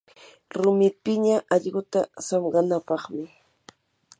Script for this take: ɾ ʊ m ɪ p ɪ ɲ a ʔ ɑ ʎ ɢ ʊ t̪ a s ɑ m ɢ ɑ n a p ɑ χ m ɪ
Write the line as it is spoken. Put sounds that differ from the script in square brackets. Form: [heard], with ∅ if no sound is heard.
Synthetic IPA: ɾ ʊ m ɪ p ɪ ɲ a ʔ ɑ ʎ ɢ ʊ t̪ a s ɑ m ɢ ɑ n a p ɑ χ m ɪ